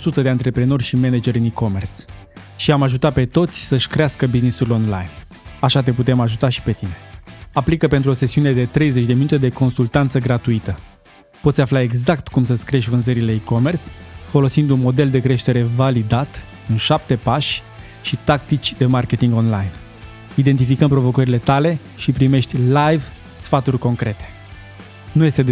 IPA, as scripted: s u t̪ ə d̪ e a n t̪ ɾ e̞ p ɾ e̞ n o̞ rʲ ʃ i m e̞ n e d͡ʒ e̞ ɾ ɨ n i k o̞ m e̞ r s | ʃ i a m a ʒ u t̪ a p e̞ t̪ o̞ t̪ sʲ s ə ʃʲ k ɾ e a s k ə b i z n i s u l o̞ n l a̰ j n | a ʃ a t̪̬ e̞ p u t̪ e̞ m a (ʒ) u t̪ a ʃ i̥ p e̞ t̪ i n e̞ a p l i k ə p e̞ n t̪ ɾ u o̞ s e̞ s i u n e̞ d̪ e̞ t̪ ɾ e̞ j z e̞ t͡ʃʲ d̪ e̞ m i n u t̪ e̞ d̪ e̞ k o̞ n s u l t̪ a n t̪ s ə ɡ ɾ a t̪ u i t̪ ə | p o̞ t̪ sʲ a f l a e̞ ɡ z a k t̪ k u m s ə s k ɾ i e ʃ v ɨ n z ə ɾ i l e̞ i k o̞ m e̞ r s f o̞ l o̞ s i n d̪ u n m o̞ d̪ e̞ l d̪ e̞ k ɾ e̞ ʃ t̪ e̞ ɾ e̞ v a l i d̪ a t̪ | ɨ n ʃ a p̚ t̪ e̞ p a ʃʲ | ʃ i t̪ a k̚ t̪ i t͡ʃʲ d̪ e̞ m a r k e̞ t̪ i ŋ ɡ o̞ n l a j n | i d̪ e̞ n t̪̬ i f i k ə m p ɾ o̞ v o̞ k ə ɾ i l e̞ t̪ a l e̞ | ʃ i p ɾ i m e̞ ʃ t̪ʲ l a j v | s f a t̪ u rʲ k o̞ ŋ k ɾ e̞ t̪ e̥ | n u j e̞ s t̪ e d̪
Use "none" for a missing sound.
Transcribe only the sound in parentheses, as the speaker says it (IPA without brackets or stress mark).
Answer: ʒ